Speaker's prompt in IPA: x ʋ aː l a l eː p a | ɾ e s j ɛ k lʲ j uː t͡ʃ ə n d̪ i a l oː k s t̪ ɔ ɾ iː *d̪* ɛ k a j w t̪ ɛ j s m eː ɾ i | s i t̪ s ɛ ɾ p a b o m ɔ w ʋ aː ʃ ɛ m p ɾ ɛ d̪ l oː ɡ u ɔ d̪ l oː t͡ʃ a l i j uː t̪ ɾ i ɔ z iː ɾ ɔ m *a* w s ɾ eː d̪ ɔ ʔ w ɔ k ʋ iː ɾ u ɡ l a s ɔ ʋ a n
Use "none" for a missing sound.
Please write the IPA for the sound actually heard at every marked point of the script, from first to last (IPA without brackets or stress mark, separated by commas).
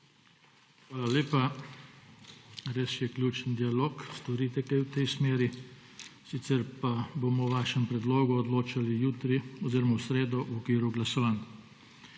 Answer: t̪, a